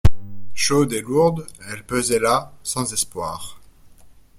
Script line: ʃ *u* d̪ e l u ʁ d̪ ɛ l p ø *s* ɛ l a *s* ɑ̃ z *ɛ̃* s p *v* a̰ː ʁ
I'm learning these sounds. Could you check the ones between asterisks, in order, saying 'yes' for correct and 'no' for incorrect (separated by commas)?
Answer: no, no, yes, no, no